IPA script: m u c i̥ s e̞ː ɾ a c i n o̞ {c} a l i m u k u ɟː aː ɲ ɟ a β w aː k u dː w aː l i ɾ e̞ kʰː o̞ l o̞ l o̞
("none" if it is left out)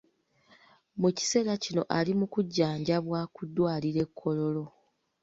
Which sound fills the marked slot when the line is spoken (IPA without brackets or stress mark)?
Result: ʔ